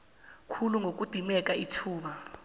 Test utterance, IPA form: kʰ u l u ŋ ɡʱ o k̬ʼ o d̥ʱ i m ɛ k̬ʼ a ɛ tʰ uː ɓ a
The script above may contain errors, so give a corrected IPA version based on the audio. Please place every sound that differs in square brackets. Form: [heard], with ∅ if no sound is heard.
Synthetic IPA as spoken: kʰ u l u ŋ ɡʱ o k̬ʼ [u] d̥ʱ i m ɛ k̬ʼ a [i] tʰ uː ɓ a